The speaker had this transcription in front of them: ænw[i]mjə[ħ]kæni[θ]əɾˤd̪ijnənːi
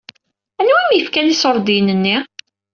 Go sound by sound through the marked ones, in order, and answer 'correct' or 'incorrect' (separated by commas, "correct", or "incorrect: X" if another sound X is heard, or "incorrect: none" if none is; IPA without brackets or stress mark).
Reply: incorrect: æ, incorrect: f, incorrect: s